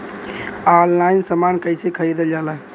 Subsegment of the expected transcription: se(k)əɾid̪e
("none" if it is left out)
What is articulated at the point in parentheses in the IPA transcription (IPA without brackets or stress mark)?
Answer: kʰ